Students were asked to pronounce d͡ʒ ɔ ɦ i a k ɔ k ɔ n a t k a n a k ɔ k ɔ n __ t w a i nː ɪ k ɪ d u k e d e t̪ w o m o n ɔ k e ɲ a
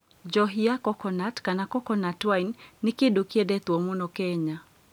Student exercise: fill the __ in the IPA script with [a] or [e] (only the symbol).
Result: a